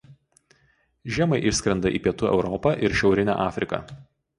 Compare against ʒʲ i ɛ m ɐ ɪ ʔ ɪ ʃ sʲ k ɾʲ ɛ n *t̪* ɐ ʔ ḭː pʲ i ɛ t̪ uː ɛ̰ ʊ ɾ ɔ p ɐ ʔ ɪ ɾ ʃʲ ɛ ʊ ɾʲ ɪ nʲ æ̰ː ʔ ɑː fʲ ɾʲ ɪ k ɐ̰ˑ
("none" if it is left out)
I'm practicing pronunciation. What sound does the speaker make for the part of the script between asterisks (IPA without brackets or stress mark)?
d̪